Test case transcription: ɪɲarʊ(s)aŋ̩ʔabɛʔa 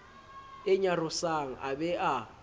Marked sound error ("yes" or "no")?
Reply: no